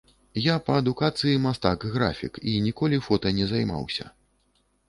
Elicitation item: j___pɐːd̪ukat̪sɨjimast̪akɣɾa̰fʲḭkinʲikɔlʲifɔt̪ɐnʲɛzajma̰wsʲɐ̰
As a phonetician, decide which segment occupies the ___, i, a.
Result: a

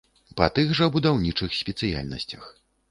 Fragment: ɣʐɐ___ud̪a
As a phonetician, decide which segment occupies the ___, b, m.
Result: b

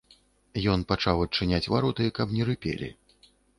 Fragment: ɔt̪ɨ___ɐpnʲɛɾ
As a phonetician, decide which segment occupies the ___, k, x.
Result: k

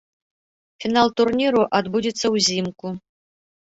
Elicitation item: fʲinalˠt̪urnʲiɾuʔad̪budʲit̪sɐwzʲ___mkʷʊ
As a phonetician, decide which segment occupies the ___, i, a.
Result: i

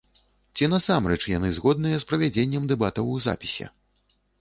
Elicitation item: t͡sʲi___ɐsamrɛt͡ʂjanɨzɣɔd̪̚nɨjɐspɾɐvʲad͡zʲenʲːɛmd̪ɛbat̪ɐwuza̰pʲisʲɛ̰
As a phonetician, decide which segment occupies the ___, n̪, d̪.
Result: n̪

